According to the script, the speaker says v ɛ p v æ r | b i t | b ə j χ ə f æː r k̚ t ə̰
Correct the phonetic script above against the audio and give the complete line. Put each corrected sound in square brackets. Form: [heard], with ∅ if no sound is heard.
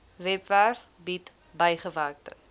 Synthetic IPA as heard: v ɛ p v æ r | b i t | b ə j χ ə [v] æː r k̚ t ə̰